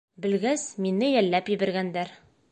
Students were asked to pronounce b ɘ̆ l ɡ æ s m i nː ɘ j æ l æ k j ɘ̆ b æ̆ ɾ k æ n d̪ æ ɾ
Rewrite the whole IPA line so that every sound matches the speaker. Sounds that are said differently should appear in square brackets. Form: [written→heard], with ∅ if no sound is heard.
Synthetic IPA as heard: b ɘ̆ l ɡ æ s m i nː ɘ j æ [l→lː] æ [k→p] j ɘ̆ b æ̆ ɾ [k→ɡ] æ n d̪ æ ɾ